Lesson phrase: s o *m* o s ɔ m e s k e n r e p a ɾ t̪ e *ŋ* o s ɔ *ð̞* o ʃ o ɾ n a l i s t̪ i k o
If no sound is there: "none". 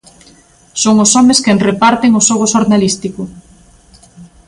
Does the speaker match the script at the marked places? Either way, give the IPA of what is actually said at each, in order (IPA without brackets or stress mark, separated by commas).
ŋ, ŋ, ɣ̞